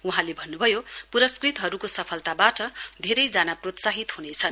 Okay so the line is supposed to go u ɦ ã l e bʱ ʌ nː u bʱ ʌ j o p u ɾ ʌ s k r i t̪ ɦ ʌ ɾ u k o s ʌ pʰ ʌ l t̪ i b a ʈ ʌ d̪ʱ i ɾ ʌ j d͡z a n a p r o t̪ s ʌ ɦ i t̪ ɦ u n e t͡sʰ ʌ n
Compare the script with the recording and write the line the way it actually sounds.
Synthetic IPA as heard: u ɦ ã l e bʱ ʌ nː u bʱ ʌ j o p u ɾ ʌ s k r i t̪ ɦ ʌ ɾ u k o s ʌ pʰ ʌ l t̪ a b a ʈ ʌ d̪ʱ e ɾ ʌ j d͡z a n a p r o t̪ s a ɦ i t̪ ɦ u n e t͡sʰ ʌ n

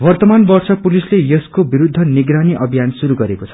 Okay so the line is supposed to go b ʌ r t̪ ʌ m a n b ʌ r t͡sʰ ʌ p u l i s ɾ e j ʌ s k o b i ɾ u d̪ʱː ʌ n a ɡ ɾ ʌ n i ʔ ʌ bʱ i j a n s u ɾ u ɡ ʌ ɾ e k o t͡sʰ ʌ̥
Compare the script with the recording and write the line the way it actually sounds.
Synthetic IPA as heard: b ʌ r t̪ ʌ m a n b ʌ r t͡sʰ ʌ p u l i s l e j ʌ s k o b i ɾ u d̪ʱː ʌ n i ɡ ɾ a n i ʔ ʌ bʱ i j a n s u ɾ u ɡ ʌ ɾ e k o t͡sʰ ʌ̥

